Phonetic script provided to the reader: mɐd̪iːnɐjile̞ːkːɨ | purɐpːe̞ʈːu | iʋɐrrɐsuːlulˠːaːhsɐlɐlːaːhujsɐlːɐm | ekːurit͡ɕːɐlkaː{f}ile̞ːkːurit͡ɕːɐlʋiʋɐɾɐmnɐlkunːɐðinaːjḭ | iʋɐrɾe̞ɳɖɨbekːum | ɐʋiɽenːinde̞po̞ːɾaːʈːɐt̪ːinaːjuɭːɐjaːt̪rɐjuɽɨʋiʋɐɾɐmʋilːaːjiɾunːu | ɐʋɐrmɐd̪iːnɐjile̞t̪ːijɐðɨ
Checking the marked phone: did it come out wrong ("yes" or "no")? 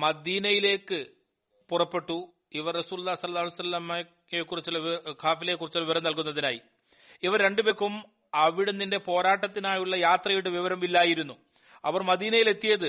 no